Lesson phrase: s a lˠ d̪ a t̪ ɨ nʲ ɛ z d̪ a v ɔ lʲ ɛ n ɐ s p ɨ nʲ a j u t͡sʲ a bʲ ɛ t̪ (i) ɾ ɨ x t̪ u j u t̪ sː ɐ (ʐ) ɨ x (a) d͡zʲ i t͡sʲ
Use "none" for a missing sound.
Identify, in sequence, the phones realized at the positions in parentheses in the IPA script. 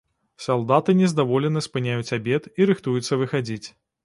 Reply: i, v, a

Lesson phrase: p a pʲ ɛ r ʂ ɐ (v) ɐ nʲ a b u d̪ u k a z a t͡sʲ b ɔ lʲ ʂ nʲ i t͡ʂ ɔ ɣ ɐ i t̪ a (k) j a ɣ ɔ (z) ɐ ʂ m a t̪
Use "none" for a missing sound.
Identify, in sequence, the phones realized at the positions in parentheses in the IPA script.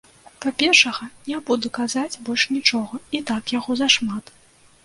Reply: ɣ, k, z

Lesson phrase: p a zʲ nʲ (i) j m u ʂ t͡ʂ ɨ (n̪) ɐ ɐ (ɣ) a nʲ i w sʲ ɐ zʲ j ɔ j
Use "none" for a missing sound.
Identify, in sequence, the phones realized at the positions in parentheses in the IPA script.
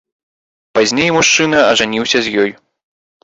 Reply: e, n̪, ʐ

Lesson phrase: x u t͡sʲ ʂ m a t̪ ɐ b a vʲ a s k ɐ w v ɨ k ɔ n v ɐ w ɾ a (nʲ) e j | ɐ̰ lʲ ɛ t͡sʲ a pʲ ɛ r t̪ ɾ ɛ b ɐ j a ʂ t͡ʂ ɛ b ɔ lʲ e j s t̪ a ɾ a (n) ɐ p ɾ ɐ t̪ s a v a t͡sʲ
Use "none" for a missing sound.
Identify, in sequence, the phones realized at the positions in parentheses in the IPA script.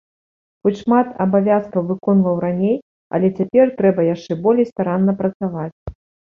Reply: nʲ, nː

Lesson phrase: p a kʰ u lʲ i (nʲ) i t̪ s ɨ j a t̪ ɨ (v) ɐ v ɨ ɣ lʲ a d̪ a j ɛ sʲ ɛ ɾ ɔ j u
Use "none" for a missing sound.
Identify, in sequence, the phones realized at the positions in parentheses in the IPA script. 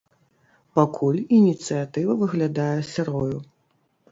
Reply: nʲ, v

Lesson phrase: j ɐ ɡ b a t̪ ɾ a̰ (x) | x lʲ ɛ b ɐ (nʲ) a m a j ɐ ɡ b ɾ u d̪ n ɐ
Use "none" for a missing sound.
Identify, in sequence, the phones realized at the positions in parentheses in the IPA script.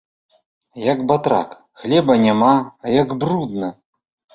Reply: k, nʲ

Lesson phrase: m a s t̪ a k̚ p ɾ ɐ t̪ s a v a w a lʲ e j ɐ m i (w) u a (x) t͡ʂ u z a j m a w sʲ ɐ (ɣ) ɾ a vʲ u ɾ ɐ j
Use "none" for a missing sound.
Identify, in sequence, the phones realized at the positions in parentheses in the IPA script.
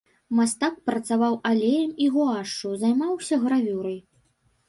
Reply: ɣ, ʂ, ɣ

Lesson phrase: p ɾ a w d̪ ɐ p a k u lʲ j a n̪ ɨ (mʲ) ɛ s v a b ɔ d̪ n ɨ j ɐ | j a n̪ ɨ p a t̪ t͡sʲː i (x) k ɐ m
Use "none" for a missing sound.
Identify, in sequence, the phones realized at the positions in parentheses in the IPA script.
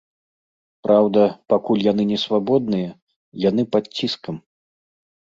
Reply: nʲ, s

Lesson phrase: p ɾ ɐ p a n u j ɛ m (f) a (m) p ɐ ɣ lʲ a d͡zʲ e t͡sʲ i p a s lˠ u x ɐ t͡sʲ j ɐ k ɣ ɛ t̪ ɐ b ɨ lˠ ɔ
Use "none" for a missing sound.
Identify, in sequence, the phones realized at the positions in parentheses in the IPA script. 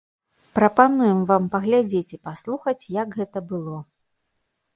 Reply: v, m

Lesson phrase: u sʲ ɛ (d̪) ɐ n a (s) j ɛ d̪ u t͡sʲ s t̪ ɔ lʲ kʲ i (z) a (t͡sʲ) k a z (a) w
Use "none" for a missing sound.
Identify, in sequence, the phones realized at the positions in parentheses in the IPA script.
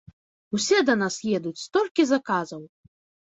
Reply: d̪, s, z, none, ɐ

